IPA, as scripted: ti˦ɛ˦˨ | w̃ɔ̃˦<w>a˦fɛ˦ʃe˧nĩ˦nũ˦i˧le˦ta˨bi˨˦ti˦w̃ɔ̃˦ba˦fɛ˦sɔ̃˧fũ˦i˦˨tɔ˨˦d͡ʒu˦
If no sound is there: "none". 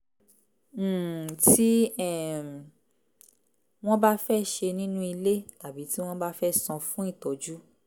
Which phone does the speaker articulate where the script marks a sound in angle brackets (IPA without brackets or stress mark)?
b